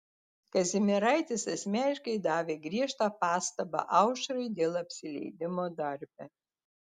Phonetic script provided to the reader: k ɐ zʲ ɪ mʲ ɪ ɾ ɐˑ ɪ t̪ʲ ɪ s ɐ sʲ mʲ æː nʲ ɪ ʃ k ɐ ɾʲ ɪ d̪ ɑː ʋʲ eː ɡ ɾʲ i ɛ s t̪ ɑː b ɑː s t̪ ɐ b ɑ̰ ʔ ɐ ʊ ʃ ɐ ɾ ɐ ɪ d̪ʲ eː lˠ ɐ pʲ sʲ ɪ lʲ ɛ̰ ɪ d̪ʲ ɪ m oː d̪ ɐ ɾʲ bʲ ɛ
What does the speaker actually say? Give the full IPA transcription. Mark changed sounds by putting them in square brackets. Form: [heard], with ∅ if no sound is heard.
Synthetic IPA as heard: k ɐ zʲ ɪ mʲ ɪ ɾ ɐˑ ɪ t̪ʲ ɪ s ɐ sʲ mʲ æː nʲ ɪ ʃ k ɐ [∅] ɪ d̪ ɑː ʋʲ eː ɡ ɾʲ i ɛ [ʃ] t̪ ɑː [p] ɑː s t̪ ɐ b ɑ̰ ʔ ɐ ʊ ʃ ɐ ɾ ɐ ɪ d̪ʲ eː lˠ ɐ pʲ sʲ ɪ lʲ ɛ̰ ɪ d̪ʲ ɪ m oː d̪ ɐ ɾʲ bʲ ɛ